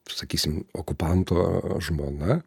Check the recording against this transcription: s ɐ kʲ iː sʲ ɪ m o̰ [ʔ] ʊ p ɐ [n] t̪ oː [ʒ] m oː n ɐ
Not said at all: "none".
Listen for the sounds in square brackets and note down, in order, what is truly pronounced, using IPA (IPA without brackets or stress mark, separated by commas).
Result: k, n, ʒ